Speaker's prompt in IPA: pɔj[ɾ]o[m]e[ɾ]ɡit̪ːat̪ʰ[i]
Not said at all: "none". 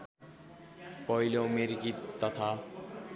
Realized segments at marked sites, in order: l, m, ɾ, a

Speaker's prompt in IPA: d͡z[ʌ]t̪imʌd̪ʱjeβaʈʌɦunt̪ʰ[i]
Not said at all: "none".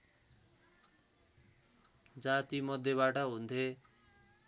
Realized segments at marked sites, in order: a, e

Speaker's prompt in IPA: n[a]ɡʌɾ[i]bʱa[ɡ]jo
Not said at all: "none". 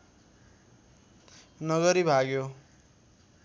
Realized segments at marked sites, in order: ʌ, i, ɡ

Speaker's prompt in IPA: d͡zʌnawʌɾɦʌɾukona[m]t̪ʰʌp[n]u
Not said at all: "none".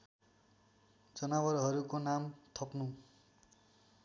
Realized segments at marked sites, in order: m, n

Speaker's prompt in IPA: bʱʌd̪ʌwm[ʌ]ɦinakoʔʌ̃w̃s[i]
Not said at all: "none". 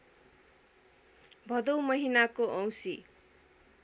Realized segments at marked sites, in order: ʌ, i

